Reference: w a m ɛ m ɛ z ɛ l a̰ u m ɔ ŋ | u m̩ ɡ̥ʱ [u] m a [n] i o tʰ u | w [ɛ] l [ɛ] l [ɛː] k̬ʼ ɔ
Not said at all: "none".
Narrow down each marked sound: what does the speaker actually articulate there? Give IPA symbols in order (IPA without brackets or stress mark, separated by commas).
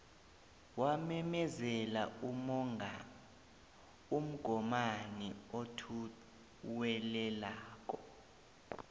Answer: ɔ, n, ɛ, ɛ, aː